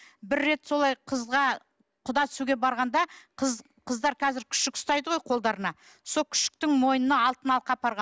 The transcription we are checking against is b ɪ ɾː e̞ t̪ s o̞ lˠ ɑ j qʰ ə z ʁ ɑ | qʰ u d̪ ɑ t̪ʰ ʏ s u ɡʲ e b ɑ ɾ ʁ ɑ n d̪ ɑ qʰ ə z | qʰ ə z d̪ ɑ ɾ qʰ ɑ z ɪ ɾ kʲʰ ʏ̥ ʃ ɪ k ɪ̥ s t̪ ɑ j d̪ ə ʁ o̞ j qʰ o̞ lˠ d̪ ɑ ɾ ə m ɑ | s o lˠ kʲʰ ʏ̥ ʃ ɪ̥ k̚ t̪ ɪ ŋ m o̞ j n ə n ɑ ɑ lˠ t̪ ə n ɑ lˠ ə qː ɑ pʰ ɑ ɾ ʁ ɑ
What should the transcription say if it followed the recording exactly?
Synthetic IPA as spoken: b ɪ ɾː e̞ t̪ s o̞ lˠ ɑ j qʰ ə z ʁ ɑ | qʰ ʊ d̪ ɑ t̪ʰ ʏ s u ɡʲ e b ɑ ɾ ʁ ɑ n d̪ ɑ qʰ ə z | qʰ ə z d̪ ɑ ɾ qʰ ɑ z ɪ ɾ kʲʰ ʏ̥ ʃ ɪ k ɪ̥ s t̪ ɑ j d̪ ə ʁ o̞ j qʰ o̞ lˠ d̪ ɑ ɾ ə n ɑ | s o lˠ kʲʰ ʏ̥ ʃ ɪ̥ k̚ t̪ ɪ ŋ m o̞ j n ə n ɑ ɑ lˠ t̪ ə n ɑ lˠ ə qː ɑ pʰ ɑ ɾ ʁ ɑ